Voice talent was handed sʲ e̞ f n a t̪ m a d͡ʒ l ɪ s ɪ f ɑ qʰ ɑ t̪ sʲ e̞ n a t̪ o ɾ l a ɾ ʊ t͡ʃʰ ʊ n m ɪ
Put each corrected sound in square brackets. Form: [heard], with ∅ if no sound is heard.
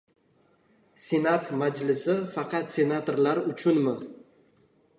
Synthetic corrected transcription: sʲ e̞ [∅] n a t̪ m a d͡ʒ l ɪ s ɪ f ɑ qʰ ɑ t̪ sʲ e̞ n a t̪ o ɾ l a ɾ ʊ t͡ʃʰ ʊ n m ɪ